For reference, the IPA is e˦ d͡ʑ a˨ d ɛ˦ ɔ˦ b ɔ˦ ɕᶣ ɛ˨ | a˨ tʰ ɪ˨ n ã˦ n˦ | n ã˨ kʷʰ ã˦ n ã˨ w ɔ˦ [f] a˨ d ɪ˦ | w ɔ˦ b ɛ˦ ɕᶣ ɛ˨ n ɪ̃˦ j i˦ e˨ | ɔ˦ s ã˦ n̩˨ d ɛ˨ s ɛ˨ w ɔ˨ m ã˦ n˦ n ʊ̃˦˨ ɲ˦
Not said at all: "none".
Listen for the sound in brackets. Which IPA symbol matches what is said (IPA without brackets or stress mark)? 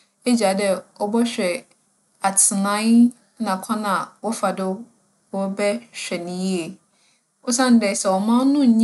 f